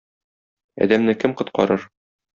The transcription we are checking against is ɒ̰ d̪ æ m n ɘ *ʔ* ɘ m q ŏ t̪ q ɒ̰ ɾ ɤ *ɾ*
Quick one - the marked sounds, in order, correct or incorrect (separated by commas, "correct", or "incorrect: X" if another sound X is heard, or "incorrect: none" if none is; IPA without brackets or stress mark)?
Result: incorrect: k, correct